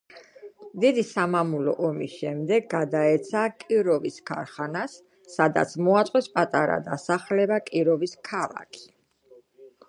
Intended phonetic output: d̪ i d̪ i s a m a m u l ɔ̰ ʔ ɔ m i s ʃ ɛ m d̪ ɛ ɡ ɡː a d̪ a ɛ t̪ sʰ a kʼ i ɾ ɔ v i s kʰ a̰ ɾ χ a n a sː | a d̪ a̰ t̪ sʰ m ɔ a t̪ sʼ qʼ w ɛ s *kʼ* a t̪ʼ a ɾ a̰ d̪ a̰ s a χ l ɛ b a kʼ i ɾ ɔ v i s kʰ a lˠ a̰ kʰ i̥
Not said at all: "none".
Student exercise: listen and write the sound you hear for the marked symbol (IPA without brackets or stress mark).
pʼ